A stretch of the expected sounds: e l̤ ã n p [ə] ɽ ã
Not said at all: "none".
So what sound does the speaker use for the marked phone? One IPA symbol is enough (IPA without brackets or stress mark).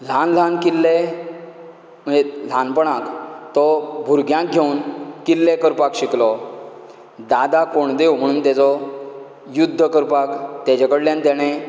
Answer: ə